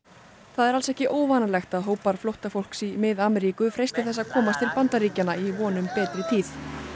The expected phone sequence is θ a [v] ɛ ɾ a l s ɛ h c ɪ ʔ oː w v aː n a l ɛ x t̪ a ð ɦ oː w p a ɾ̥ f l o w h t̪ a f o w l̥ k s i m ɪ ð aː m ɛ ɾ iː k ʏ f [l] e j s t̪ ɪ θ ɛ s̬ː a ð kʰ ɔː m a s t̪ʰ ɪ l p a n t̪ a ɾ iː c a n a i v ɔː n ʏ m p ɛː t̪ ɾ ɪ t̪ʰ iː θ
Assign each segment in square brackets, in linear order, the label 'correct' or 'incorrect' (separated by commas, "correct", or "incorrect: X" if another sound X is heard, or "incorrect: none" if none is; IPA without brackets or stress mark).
incorrect: ð, incorrect: ɾ